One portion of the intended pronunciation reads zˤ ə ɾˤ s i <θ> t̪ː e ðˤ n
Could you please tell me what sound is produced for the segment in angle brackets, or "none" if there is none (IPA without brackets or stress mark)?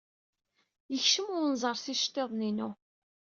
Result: ʃ